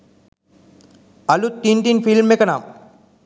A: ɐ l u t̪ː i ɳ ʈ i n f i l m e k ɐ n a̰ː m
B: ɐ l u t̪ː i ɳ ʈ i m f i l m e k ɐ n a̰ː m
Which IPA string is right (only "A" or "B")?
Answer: A